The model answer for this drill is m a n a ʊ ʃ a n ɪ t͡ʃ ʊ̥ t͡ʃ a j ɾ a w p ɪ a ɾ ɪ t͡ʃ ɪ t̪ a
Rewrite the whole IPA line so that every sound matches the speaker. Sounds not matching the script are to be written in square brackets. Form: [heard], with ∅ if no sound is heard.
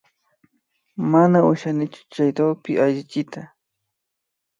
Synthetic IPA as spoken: m a n a ʊ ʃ a n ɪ t͡ʃ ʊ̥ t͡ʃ a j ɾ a w p ɪ a [ʎ] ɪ t͡ʃ ɪ t̪ a